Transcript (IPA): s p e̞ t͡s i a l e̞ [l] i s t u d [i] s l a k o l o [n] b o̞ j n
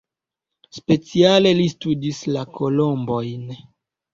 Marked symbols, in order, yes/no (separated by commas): yes, yes, no